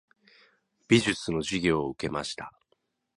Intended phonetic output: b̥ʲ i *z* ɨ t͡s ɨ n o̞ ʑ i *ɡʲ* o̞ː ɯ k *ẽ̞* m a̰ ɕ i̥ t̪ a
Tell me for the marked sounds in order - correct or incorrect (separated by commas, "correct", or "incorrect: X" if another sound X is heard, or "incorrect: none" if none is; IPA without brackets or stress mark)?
incorrect: ʑ, correct, incorrect: e̞